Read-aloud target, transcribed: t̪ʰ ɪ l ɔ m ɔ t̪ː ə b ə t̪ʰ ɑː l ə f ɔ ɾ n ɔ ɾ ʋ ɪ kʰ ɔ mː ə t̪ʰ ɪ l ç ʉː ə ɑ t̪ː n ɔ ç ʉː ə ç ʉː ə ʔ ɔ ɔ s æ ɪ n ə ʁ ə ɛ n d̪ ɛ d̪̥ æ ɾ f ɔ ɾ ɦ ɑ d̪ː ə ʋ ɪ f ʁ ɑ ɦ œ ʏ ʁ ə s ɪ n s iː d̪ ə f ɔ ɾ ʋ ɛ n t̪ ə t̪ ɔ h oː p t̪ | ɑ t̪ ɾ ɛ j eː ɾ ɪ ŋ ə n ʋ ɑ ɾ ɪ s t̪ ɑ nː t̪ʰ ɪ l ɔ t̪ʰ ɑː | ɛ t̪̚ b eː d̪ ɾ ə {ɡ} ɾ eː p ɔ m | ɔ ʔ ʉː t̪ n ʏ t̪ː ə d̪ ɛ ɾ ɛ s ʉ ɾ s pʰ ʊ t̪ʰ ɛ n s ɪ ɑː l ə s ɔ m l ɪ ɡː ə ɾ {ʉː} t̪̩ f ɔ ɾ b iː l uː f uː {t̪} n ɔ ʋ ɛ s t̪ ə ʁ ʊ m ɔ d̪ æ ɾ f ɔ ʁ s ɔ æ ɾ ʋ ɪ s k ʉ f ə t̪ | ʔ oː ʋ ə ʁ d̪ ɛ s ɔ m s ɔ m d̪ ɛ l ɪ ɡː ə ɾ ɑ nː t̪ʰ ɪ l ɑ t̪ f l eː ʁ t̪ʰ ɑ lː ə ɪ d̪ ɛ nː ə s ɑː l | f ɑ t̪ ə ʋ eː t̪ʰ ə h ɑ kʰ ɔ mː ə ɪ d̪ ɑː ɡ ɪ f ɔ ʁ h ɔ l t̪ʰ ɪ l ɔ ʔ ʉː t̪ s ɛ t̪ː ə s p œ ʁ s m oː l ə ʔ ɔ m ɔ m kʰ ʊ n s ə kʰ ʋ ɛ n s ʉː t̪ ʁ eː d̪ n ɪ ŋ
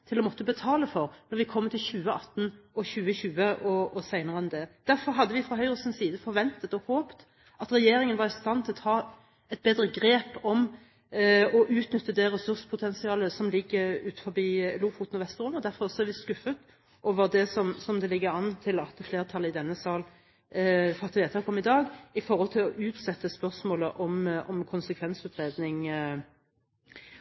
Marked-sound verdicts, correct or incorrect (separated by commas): correct, correct, correct